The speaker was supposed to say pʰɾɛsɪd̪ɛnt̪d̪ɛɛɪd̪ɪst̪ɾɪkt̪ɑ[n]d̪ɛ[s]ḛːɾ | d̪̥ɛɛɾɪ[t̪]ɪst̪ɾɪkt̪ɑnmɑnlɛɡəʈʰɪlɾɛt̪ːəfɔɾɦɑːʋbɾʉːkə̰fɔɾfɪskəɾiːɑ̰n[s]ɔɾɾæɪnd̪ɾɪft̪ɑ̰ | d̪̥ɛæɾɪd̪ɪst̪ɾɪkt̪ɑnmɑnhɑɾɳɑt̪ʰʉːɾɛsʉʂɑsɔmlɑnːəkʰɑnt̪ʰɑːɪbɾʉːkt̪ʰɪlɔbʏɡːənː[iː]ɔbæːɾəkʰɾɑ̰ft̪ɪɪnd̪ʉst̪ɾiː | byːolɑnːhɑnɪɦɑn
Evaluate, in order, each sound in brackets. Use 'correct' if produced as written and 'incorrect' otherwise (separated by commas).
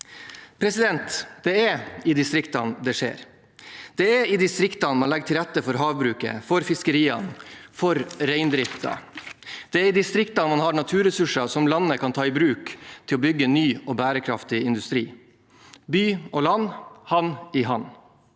correct, incorrect, incorrect, incorrect, incorrect